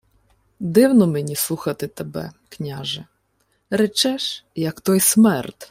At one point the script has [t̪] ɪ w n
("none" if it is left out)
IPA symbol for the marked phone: d̪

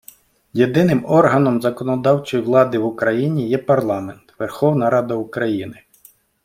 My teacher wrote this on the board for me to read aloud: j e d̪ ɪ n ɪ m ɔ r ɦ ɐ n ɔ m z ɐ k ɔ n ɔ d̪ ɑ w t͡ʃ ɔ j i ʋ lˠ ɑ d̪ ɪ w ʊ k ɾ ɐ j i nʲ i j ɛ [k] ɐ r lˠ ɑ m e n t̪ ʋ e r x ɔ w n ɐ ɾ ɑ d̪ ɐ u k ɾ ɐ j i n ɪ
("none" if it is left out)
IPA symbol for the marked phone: p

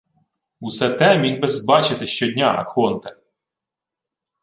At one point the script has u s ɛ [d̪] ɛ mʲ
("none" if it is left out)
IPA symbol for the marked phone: t̪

